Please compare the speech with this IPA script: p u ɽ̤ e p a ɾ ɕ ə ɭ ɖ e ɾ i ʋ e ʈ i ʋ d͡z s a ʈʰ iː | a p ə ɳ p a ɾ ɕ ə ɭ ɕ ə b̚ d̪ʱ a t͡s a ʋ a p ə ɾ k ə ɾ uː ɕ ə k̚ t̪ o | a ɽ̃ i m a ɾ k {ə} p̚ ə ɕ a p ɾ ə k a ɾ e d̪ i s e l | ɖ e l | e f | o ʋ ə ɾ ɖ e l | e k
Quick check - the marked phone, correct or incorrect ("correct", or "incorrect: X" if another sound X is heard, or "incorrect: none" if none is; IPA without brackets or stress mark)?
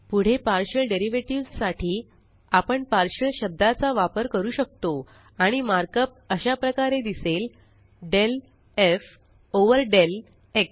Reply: correct